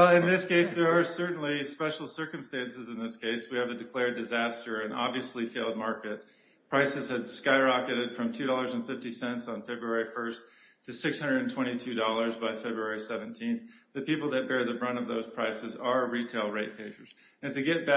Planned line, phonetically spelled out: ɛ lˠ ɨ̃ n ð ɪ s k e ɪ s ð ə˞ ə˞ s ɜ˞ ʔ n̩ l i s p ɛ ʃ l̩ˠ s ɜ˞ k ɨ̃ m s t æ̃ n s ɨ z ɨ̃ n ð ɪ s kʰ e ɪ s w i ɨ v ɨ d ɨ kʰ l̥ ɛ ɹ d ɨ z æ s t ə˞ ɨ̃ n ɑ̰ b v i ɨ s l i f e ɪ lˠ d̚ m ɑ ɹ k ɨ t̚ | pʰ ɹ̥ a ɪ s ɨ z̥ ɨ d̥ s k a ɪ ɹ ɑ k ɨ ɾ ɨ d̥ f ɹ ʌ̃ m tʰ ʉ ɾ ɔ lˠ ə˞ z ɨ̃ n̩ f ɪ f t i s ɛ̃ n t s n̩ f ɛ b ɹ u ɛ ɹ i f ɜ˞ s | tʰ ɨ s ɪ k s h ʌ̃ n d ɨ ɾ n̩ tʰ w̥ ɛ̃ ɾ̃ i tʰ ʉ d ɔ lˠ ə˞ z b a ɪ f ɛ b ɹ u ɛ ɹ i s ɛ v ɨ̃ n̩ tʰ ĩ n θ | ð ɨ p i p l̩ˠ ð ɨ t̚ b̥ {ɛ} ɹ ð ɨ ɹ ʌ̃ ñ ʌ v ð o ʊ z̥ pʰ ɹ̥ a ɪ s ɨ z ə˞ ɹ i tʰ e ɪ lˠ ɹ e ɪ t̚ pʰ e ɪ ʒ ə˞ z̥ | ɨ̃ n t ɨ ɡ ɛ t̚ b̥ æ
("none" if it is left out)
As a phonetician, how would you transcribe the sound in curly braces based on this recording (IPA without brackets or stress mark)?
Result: ɛ